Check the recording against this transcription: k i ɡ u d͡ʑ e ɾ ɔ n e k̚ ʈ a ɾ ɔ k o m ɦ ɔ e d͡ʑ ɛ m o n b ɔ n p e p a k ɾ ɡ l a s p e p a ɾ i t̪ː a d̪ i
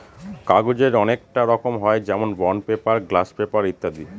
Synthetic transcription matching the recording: k a ɡ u d͡ʑ e ɾ ɔ n e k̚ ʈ a ɾ ɔ k o m ɦ ɔ e d͡ʑ ɛ m o n b ɔ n p e p a ɾ ɡ l a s p e p a ɾ i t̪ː a d̪ i